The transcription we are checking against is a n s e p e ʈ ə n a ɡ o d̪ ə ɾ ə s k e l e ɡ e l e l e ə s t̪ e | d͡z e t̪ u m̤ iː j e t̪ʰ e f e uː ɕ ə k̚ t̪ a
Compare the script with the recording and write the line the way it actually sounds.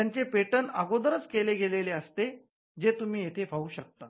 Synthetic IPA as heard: a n t͡s e p e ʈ ə n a ɡ o d̪ ə ɾ ə t͡s k e l e ɡ e l e l e ə s t̪ e | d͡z e t̪ u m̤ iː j e t̪ʰ e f a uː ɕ ə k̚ t̪ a